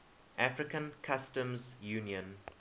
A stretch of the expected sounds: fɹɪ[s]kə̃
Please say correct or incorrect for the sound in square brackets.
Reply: incorrect